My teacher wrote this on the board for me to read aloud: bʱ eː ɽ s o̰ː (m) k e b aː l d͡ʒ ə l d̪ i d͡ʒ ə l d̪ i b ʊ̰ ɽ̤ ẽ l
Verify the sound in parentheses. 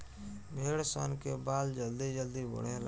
incorrect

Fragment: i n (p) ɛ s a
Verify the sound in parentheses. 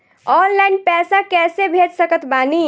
correct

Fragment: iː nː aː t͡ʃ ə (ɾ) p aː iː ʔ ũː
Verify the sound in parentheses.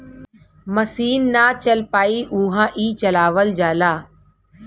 incorrect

